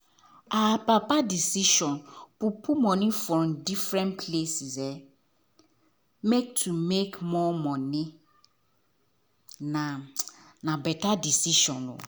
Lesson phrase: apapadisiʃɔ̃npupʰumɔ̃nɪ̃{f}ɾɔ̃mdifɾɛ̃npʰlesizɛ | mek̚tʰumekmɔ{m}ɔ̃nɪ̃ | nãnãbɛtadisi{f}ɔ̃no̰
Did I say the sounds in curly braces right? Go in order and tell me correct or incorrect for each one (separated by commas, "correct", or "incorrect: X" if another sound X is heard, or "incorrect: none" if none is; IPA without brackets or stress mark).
correct, correct, incorrect: ʃ